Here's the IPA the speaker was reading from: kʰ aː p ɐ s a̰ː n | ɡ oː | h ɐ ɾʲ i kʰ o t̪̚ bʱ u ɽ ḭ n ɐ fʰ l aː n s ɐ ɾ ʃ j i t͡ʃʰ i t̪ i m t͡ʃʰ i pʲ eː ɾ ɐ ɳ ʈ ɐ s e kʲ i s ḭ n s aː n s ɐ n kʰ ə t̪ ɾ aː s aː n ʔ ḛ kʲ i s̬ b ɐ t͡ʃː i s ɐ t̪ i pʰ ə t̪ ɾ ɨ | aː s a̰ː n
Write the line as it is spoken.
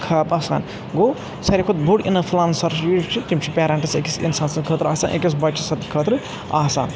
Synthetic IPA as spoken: kʰ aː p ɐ s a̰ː n | ɡ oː | s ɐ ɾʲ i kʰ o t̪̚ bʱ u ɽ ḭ n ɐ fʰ l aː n s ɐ ɾ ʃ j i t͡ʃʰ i t̪ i m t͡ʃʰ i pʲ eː ɾ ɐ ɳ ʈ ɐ s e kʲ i s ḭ n s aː n s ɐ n kʰ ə t̪ ɾ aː s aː n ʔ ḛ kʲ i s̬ b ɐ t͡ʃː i s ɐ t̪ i kʰ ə t̪ ɾ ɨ | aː s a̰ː n